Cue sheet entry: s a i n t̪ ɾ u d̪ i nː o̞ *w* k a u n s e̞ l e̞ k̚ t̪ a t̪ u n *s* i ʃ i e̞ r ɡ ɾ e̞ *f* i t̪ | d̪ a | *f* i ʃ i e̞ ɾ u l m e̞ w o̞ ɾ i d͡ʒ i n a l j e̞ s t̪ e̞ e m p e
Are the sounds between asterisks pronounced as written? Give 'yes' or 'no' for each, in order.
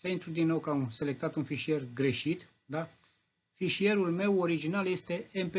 yes, no, no, yes

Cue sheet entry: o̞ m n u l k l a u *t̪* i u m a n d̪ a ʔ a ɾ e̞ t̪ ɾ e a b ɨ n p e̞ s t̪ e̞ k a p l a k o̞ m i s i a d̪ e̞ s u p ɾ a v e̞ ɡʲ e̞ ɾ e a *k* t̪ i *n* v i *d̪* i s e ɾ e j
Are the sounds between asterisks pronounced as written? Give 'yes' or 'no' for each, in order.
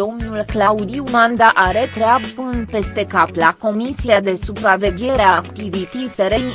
no, yes, no, no

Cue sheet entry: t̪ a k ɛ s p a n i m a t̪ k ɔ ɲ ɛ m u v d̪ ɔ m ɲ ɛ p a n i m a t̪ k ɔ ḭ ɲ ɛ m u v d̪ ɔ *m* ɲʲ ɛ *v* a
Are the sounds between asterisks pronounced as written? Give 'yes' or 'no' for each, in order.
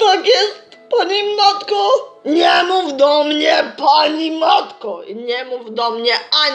yes, no

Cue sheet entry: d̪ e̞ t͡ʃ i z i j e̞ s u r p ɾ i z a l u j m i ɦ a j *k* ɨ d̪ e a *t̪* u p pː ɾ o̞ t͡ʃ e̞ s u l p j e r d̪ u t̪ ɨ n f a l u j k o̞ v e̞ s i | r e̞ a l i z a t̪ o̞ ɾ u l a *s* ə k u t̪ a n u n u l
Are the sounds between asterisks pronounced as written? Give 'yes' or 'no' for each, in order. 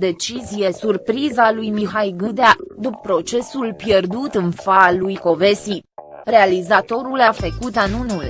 no, no, no

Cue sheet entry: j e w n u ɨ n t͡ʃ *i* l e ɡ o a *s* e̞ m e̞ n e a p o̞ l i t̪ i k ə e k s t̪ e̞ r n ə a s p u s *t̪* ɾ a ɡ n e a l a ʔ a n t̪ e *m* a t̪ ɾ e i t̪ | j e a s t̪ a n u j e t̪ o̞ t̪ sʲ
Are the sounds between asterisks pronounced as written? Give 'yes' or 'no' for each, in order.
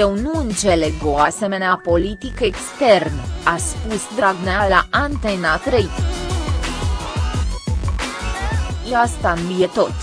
no, yes, no, no

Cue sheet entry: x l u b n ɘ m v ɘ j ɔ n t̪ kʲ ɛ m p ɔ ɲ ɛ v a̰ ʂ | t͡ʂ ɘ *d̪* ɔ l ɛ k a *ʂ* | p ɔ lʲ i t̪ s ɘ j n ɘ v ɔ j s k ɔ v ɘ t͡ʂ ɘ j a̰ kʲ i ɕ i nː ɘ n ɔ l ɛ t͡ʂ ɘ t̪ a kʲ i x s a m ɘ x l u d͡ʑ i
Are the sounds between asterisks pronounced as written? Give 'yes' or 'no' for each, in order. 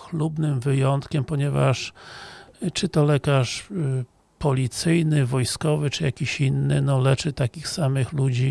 no, yes

